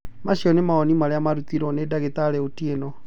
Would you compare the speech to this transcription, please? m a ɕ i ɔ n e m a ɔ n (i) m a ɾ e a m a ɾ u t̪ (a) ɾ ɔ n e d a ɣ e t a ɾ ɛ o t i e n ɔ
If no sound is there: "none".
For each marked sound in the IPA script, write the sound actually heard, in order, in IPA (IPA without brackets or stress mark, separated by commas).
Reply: i, i